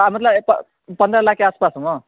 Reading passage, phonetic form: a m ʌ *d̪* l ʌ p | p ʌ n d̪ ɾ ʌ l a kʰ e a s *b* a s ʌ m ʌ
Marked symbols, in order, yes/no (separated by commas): no, no